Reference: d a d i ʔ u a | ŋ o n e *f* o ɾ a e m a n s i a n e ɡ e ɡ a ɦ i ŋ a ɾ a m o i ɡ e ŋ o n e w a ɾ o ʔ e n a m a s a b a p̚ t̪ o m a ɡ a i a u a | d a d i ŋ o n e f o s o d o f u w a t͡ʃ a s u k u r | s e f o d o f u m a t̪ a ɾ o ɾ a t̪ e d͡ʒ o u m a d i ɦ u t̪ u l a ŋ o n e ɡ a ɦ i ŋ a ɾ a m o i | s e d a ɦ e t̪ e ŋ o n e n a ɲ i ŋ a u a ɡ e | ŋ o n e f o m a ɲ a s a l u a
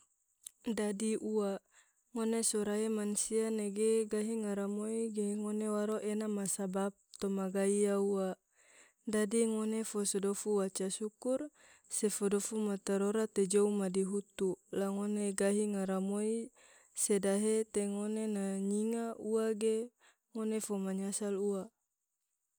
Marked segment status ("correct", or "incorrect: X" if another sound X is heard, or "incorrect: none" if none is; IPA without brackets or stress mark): incorrect: s